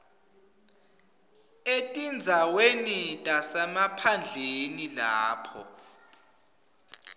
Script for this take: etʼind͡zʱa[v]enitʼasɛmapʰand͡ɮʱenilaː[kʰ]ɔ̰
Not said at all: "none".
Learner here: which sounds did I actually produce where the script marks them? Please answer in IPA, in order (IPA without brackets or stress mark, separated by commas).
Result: w, pʰ